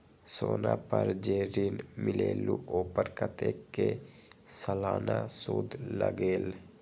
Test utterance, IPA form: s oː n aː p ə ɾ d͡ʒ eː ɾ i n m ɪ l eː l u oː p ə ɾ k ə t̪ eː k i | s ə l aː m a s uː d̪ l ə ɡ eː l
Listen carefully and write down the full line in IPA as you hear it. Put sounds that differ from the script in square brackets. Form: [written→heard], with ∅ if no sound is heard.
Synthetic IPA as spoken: s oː n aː p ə ɾ d͡ʒ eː ɾ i n m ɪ l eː l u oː p ə ɾ k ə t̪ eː k [i→e] | s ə l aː [m→n] a s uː d̪ l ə ɡ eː l